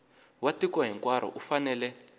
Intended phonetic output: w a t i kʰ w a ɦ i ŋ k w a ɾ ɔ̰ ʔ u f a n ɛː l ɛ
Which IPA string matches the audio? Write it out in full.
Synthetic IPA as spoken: w a t i k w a ɦ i ŋ k w a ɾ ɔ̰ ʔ u f a n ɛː l ɛ

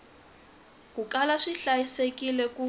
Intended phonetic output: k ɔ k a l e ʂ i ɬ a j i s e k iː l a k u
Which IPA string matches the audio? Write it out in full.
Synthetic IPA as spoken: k u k a l a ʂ i ɬ a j i s e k i l ɛ k u

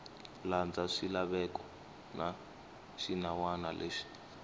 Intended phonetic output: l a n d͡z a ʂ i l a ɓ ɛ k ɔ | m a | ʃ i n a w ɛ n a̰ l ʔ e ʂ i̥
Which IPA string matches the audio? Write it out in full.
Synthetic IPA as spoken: l a n d͡z a ʂ i l a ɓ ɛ k ɔ | n a | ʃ i n a w a n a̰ l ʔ e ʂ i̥

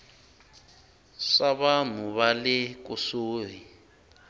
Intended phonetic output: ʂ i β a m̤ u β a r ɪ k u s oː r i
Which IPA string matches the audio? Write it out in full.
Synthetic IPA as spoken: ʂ a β a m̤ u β a l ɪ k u s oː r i

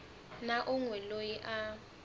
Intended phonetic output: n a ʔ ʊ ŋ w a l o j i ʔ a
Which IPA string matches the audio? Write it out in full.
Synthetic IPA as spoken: n a ʔ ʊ ŋ w ɛ l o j i ʔ a

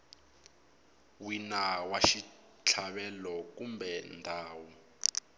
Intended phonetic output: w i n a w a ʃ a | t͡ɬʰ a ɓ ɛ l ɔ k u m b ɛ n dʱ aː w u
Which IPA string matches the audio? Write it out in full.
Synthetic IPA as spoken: w i n a w a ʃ i | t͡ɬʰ a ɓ ɛ l ɔ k u m b ɛ n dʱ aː w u

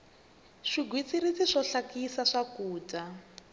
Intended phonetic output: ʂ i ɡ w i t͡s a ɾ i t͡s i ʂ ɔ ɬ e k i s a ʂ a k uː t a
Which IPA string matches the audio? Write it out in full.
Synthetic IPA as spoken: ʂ i ɡ w i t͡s i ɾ i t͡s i ʂ ɔ ɬ a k i s a ʂ a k uː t a

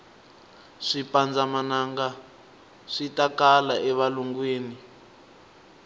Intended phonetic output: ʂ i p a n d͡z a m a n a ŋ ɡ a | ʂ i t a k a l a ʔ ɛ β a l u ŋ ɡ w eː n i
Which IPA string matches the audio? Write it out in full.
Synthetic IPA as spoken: ʂ i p a n d͡z a m a n a ŋ ɡ a | ʂ i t a k a l a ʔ ɛ β a l u ŋ ɡ w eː n i

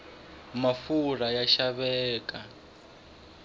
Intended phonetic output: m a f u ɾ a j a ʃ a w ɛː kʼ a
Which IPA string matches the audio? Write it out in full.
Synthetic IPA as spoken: m a f u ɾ a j a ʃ a β ɛː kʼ a

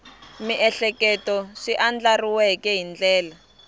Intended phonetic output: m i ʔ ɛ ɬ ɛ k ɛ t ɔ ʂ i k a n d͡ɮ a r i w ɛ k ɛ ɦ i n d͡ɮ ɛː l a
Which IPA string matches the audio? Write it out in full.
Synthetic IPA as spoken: m i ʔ ɛ ɬ ɛ k ɛ t ɔ ʂ i ʔ a n d͡ɮ a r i w ɛ k ɛ ɦ i n d͡ɮ ɛː l a

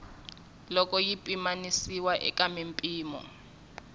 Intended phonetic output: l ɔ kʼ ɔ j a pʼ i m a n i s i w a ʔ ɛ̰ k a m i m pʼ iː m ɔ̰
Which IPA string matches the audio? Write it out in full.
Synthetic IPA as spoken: l ɔ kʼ ɔ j i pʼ i m a n i s i w a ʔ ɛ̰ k a m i m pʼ iː m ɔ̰

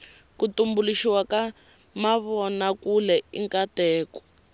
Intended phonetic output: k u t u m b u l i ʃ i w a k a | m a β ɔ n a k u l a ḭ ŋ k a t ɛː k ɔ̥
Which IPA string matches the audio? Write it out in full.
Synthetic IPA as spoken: k u t u m b u l i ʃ i w a k a | m a β ɔ n a k u l ɛ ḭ ŋ k a t ɛː k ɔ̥

